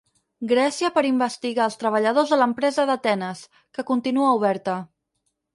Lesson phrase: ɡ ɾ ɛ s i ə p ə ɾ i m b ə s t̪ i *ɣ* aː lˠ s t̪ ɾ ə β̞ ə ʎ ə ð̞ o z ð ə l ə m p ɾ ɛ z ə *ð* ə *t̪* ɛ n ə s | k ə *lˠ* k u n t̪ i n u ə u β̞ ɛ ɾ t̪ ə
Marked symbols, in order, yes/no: yes, yes, yes, no

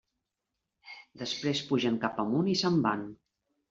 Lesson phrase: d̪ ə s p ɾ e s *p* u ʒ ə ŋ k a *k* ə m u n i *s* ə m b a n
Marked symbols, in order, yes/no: yes, no, yes

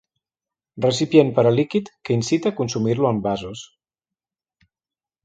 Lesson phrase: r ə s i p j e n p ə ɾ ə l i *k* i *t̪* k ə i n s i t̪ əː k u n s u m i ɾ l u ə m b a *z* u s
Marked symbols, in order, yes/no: yes, yes, yes

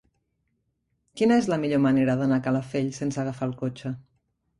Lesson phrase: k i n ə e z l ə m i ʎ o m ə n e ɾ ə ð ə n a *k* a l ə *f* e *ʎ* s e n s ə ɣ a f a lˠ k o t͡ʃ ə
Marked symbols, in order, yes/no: yes, yes, yes

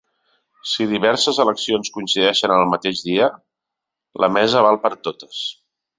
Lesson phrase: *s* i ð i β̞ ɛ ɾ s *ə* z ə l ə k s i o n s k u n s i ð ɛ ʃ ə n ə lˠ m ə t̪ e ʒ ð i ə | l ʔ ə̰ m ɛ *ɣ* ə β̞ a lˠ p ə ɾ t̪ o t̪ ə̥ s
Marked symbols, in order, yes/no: yes, yes, no

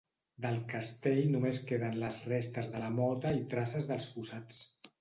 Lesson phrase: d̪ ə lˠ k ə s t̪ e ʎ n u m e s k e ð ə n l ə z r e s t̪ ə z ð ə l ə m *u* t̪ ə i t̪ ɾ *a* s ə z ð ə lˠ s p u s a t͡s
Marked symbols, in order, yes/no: no, yes

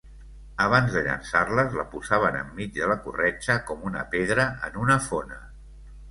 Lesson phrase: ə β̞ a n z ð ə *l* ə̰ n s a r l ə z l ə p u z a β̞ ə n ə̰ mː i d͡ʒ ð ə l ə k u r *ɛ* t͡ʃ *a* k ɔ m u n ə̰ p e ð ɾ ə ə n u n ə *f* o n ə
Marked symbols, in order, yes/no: no, yes, no, yes

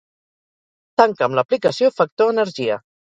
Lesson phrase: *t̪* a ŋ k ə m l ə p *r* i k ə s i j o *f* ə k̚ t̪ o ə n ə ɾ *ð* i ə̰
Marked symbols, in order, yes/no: yes, no, yes, no

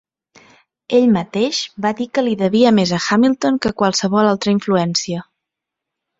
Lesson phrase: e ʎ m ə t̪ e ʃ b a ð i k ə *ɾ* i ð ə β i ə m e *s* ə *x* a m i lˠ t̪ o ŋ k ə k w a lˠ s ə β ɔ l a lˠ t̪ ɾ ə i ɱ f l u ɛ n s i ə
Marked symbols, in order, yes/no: no, no, yes

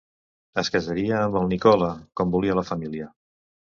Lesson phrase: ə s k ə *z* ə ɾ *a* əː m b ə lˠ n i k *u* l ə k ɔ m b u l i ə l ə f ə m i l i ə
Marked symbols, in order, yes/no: yes, no, no

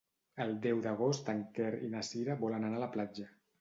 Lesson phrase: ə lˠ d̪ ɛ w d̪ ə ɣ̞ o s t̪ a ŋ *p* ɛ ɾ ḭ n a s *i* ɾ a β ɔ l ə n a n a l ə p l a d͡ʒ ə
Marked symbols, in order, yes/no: no, yes

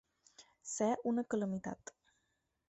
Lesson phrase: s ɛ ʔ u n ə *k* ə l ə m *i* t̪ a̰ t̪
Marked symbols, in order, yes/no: yes, yes

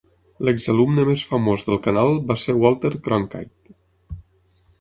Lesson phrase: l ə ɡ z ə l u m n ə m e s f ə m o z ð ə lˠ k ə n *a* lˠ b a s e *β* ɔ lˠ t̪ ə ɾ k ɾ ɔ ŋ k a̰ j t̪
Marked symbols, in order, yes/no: yes, no

